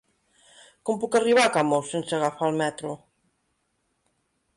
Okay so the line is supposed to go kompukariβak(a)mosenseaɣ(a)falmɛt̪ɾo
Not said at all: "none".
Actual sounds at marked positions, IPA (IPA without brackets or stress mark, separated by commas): a, a